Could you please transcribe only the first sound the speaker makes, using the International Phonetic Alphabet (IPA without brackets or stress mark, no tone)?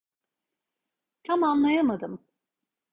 t̪ʰ